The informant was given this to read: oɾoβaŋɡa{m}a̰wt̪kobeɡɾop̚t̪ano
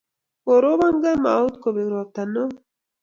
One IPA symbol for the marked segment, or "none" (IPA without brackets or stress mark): m